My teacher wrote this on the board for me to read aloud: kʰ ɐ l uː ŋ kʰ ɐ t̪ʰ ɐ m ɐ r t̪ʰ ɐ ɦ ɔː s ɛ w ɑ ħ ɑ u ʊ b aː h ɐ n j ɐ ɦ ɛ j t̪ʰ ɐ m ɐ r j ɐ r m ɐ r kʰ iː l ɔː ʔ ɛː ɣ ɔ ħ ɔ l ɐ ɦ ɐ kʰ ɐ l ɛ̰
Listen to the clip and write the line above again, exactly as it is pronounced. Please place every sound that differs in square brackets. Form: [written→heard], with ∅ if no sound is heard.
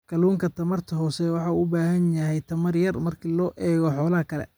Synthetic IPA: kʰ ɐ l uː ŋ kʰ ɐ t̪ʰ ɐ m ɐ r t̪ʰ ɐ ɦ ɔː s ɛ w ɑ ħ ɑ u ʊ b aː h ɐ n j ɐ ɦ ɛ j t̪ʰ ɐ m ɐ r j ɐ r m ɐ r kʰ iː l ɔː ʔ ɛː ɣ ɔ ħ [ɔ→ɔː] l ɐ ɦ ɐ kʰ ɐ l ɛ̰